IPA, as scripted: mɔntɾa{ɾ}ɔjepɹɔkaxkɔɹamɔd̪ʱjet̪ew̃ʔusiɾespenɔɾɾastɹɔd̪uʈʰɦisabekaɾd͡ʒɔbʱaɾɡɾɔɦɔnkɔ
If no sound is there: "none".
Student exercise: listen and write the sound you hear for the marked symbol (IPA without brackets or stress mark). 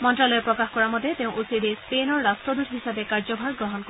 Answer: l